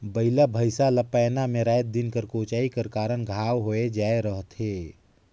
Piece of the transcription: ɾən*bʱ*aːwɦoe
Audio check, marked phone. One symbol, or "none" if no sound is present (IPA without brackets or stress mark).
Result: ɡʱ